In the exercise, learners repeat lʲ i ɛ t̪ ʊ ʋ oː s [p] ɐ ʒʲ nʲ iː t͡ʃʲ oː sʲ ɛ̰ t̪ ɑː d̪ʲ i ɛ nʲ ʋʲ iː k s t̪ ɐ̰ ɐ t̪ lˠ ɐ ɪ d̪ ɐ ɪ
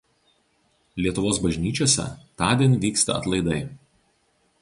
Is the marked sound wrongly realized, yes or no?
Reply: yes